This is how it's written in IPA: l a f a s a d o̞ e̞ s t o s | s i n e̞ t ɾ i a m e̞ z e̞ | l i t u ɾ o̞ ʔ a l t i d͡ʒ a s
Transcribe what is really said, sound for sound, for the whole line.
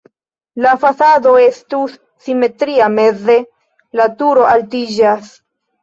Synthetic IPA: l a f a s a d o̞ e̞ s t u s | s i m e̞ t ɾ i a m e̞ z e̞ | l a t u ɾ o̞ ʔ a l t i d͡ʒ a s